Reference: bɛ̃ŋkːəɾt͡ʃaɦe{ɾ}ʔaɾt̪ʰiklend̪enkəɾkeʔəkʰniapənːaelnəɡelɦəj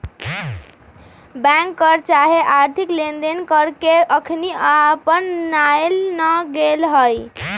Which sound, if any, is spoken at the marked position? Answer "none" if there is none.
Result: none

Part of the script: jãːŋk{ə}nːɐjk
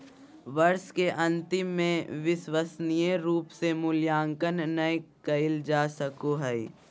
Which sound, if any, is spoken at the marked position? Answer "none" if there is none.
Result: ə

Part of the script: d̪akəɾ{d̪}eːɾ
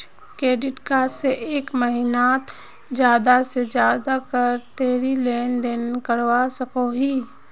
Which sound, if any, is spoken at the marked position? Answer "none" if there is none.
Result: t̪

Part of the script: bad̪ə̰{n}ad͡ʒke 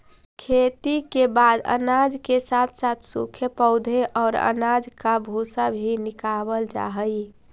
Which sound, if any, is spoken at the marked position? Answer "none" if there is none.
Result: n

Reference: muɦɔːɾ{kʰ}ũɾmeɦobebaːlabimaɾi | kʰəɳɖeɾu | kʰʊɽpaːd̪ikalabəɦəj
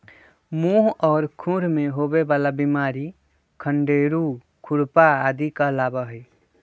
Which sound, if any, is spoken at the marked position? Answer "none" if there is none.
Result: kʰ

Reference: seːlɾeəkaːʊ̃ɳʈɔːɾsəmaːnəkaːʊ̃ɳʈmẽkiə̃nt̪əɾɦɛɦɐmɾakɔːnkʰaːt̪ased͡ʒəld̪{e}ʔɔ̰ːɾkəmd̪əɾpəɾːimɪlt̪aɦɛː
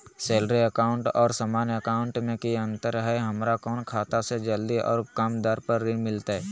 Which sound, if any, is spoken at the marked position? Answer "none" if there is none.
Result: i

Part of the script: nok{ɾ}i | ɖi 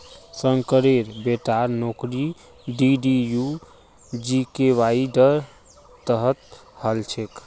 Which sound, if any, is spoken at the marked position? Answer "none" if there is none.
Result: ɾ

